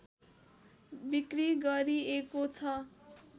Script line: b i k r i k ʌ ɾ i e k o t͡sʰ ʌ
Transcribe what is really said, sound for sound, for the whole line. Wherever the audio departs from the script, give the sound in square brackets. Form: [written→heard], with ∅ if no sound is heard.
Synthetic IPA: b i k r i [k→ɡ] ʌ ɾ i e k o t͡sʰ ʌ